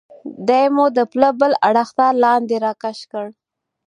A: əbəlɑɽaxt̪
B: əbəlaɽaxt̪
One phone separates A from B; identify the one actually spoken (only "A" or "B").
B